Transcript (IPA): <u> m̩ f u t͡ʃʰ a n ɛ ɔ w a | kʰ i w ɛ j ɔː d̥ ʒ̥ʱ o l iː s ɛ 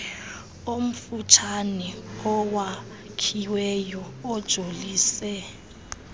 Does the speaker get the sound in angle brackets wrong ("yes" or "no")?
yes